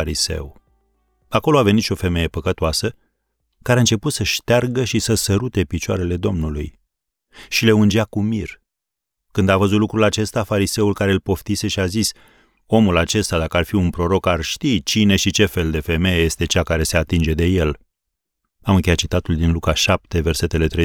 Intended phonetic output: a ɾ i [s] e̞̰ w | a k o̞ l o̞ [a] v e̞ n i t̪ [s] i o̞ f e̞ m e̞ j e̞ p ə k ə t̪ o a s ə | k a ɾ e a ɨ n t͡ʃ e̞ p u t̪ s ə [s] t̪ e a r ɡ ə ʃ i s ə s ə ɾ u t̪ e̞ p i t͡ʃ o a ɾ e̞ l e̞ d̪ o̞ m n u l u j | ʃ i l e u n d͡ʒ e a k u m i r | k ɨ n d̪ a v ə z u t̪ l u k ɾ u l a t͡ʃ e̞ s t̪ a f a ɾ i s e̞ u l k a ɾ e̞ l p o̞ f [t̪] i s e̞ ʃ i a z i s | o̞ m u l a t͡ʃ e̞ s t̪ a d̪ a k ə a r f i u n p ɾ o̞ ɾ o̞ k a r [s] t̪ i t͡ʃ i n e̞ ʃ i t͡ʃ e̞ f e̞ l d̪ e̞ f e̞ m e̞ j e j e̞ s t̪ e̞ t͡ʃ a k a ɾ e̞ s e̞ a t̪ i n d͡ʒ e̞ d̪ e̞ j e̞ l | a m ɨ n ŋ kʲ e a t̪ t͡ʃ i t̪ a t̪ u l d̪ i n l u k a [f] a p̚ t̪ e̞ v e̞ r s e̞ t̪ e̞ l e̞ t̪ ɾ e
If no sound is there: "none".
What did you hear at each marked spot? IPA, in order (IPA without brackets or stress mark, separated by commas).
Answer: s, a, ʃ, ʃ, t̪, ʃ, ʃ